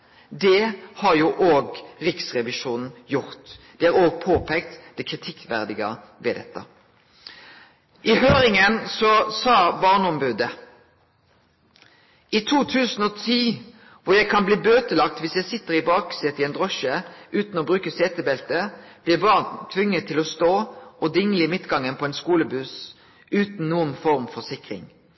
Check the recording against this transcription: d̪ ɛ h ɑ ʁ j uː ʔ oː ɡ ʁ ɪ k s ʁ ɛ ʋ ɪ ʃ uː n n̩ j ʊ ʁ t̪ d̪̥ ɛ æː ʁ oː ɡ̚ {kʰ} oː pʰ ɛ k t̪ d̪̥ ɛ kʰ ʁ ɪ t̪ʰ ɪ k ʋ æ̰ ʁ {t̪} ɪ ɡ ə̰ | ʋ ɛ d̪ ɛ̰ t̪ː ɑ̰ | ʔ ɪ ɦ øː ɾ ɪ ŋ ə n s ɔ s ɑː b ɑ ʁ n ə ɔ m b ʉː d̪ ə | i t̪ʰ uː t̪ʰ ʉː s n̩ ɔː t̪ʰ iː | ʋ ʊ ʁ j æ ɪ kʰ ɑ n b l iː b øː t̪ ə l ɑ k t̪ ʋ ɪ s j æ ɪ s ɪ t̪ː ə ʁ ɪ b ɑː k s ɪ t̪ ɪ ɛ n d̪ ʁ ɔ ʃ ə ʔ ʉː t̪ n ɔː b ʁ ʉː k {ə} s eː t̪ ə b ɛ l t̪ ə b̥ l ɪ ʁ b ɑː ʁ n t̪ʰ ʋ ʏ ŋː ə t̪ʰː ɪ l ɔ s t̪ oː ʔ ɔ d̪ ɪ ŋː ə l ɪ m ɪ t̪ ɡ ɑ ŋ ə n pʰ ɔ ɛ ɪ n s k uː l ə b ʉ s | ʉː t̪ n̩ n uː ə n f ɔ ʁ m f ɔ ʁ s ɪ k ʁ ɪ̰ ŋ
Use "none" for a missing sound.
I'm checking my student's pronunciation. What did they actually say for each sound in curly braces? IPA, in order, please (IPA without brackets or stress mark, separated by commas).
pʰ, d̪, ə